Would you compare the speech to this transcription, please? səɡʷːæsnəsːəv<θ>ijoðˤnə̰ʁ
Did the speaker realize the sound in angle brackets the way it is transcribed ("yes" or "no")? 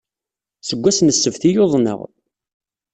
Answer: yes